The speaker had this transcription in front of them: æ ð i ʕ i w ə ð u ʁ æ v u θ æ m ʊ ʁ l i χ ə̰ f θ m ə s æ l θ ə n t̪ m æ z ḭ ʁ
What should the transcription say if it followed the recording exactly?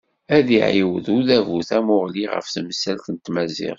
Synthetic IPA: æ ð i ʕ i w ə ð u ð æ v u θ æ m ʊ ʁ l i ʁ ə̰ f θ m ə s æ l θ ə n t̪ m æ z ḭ ʁ